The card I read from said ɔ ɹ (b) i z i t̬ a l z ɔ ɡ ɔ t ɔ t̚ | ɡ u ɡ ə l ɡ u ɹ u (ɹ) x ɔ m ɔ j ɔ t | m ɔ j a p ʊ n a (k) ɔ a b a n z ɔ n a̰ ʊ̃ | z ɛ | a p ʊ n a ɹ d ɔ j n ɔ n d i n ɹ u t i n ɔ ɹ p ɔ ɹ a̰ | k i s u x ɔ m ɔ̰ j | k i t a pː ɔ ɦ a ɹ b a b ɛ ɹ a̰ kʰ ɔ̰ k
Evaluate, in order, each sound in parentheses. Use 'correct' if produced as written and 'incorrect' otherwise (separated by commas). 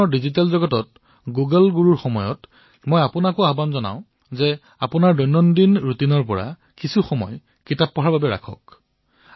incorrect, correct, correct